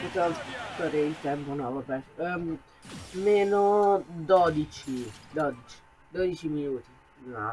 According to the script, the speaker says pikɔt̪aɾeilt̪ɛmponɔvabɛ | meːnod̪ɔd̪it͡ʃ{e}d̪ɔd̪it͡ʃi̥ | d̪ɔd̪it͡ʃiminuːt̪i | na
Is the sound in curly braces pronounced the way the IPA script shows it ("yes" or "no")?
no